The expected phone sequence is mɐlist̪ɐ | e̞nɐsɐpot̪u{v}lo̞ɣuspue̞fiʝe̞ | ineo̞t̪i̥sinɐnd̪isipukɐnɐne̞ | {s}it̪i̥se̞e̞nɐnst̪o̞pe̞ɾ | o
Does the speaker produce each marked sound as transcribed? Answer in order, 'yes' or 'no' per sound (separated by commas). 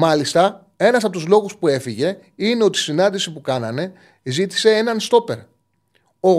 no, no